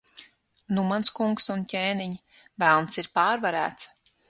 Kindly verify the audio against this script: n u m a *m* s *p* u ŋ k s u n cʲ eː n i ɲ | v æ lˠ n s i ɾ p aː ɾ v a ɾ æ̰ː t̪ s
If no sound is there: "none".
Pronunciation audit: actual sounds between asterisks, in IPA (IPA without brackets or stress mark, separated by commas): n, k